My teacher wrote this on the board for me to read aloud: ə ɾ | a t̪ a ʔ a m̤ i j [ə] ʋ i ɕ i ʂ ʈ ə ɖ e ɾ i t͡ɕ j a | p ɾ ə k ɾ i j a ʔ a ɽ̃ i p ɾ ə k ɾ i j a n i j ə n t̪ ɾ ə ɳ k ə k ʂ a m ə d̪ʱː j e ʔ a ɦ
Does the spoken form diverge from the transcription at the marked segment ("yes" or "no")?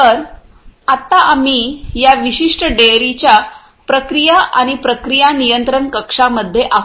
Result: yes